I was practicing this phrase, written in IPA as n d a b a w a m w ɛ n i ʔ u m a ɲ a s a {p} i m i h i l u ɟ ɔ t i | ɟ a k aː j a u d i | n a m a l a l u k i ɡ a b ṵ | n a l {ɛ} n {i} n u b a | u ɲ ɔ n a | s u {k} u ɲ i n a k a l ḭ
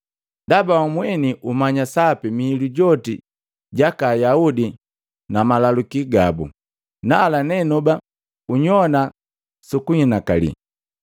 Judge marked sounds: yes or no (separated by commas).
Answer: yes, no, no, yes